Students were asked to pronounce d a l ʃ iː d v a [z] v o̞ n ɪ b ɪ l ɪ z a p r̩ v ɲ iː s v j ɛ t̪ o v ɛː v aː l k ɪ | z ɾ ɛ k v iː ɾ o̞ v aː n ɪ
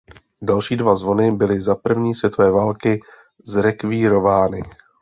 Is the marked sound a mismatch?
no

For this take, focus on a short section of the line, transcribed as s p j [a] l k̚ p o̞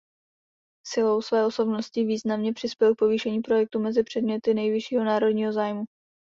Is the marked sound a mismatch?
yes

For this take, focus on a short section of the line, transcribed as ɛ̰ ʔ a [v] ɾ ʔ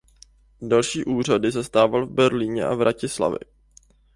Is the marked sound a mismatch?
no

